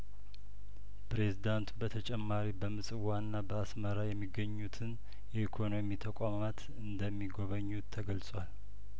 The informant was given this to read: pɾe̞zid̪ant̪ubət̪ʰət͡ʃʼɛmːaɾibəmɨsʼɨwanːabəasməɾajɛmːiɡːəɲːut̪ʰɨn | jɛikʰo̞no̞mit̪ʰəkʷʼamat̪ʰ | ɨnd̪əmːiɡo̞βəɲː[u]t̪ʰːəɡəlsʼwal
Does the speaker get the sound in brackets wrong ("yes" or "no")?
no